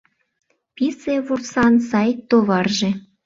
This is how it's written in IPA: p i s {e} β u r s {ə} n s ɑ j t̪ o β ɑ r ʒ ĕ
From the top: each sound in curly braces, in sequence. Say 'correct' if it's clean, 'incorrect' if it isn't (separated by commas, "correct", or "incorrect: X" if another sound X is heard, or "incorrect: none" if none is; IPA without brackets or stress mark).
correct, incorrect: ɑ